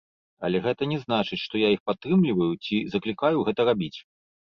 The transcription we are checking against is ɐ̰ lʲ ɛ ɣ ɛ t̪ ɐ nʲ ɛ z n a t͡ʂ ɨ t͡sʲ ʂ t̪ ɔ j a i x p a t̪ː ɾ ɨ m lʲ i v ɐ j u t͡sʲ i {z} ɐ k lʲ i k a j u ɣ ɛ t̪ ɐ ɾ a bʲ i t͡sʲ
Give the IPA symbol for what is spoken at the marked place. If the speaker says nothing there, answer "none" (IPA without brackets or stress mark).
z